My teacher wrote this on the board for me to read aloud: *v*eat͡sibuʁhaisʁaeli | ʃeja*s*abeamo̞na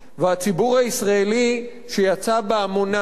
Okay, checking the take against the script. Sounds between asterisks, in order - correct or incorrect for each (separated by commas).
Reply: correct, incorrect